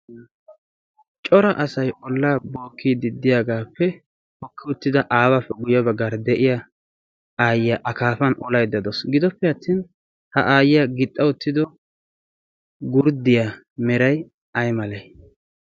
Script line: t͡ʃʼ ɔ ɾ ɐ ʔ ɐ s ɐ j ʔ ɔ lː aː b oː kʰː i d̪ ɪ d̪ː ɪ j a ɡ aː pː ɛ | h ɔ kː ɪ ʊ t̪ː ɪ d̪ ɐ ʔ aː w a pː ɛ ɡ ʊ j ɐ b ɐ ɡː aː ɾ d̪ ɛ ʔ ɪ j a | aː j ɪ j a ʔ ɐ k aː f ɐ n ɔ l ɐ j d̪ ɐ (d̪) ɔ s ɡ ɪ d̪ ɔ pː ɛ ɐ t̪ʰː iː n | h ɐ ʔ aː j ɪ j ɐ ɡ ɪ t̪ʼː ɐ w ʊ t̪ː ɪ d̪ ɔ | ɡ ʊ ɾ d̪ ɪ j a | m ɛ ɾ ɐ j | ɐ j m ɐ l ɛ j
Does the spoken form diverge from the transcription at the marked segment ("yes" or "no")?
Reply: no